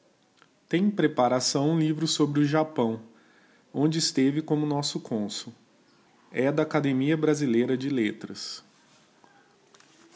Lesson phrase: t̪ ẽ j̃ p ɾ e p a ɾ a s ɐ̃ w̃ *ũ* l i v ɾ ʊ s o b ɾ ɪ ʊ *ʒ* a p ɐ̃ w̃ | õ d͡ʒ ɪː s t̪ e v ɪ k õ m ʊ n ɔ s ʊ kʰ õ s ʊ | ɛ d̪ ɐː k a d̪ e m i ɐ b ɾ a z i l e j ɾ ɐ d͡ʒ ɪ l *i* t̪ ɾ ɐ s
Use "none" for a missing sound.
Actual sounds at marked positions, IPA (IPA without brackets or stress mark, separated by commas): ũ, ʒ, e